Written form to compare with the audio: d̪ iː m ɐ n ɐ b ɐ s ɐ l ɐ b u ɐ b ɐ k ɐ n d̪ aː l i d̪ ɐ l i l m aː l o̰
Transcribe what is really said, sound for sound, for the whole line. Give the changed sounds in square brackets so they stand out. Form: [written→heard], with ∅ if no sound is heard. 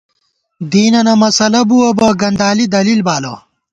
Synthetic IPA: d̪ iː [m→n] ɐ n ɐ [b→m] ɐ s ɐ l ɐ b u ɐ b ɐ [k→ɡ] ɐ n d̪ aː l i d̪ ɐ l i l [m→b] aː l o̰